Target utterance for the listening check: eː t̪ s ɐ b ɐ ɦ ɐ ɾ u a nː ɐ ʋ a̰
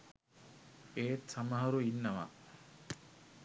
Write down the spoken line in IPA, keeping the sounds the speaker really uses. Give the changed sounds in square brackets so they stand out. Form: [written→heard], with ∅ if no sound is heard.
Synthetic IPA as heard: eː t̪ s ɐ [b→m] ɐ ɦ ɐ ɾ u [a→i] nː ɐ ʋ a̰